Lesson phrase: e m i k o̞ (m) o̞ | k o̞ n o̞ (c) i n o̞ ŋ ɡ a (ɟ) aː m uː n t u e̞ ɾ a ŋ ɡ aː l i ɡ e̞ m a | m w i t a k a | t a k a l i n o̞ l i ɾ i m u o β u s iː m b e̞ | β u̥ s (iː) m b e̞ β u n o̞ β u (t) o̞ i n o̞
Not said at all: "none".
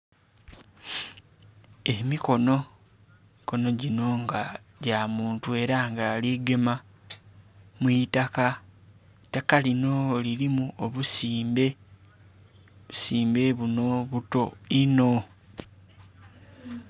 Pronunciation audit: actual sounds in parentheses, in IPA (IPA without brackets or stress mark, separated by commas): n, ɟ, ɟ, iː, t